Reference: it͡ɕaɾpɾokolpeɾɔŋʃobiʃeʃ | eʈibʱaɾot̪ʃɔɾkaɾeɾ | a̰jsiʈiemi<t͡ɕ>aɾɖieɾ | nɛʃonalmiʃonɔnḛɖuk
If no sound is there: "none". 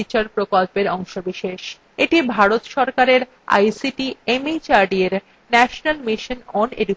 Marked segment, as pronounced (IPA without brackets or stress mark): t͡ɕ